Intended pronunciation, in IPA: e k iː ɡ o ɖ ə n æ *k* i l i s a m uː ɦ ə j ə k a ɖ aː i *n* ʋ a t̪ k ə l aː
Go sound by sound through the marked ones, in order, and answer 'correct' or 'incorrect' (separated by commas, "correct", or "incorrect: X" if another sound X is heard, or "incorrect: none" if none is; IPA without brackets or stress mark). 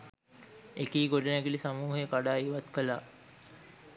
incorrect: ɡ, incorrect: none